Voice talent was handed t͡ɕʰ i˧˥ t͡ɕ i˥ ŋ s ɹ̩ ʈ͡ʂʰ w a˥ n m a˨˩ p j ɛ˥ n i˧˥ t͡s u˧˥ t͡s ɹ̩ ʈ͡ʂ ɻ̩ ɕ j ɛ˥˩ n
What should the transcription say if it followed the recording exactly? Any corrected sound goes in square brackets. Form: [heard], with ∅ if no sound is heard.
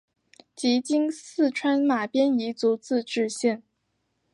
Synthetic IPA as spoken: [t͡ɕ] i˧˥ t͡ɕ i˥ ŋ s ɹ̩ ʈ͡ʂʰ w a˥ n m a˨˩ p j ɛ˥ n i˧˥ t͡s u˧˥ t͡s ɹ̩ ʈ͡ʂ ɻ̩ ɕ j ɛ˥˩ n